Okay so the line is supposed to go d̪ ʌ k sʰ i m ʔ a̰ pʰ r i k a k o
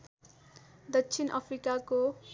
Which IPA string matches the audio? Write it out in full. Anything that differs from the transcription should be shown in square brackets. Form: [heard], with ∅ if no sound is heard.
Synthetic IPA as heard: d̪ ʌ k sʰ i [n] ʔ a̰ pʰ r i k a k o